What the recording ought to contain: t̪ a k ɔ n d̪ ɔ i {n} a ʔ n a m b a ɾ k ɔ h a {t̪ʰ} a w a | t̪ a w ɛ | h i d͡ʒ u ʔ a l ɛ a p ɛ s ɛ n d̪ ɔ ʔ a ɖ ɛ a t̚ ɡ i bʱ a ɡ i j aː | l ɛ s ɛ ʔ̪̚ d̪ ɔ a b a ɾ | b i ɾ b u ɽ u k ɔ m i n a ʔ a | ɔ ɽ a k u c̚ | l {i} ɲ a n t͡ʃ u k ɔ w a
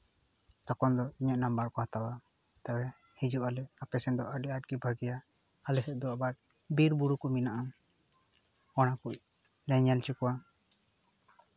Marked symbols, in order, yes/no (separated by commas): no, no, no